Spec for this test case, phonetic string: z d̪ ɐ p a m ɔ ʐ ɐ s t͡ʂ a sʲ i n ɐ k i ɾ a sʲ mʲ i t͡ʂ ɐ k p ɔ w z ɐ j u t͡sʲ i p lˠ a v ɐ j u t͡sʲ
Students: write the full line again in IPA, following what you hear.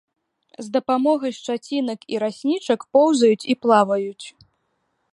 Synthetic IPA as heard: z d̪ ɐ p a m ɔ ɣ ɐ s t͡ʂ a t͡sʲ i n ɐ k i ɾ a sʲ nʲ i t͡ʂ ɐ k p ɔ w z ɐ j u t͡sʲ i p lˠ a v ɐ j u t͡sʲ